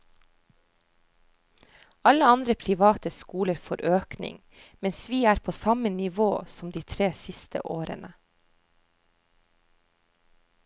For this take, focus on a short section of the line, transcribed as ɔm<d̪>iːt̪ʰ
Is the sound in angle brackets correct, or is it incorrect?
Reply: correct